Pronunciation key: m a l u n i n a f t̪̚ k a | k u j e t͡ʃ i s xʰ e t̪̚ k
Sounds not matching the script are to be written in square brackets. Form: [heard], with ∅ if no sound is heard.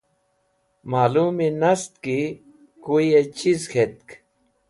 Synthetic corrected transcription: m a l u [m] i n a [s] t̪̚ k [i] | k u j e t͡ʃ i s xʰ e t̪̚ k